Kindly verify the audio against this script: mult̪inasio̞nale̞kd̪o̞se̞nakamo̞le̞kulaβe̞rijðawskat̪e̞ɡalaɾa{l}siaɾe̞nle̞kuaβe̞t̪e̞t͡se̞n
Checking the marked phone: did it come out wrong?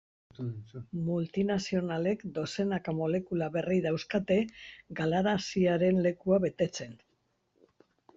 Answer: yes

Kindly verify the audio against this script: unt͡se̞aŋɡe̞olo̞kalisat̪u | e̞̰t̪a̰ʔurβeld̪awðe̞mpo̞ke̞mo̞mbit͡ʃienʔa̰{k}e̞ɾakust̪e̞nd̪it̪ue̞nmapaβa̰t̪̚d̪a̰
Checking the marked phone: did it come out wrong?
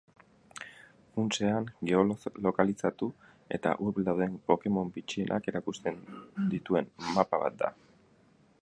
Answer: no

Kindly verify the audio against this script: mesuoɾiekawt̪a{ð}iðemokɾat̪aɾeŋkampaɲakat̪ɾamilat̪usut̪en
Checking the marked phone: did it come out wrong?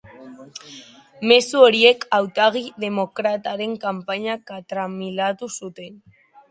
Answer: yes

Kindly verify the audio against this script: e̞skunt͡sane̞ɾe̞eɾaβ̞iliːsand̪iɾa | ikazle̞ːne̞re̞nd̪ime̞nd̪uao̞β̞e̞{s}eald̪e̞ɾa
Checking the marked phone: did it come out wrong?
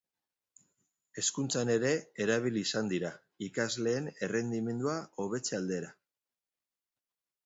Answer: yes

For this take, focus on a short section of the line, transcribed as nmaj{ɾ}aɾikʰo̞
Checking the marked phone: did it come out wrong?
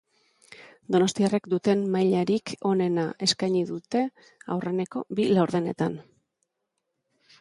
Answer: yes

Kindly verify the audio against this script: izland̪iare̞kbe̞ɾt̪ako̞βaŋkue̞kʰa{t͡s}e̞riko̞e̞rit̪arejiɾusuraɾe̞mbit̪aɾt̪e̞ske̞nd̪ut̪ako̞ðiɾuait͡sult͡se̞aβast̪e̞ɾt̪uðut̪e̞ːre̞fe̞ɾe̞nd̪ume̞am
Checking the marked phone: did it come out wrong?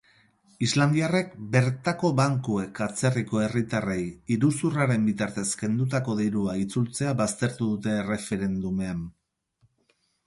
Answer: no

